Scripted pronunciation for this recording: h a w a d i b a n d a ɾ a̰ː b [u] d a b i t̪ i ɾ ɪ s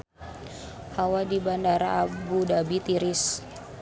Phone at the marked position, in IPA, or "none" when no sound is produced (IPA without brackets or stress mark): u